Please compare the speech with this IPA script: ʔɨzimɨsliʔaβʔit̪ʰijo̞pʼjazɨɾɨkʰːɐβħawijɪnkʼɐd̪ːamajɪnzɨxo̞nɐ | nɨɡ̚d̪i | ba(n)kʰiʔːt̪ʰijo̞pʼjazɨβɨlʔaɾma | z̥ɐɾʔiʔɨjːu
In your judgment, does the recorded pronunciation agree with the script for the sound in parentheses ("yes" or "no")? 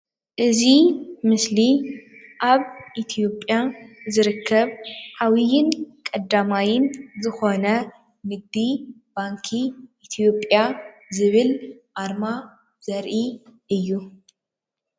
no